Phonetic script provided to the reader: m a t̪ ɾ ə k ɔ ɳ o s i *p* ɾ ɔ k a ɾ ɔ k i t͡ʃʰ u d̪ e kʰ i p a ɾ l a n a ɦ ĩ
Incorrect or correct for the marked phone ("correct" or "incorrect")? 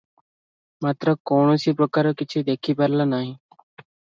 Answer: correct